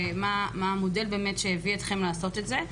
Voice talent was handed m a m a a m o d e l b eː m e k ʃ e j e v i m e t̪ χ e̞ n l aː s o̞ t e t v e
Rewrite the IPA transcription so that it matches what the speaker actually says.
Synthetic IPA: m a m a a m o d e l b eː m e t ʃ e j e v i e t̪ χ e̞ m l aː s o̞ t e t z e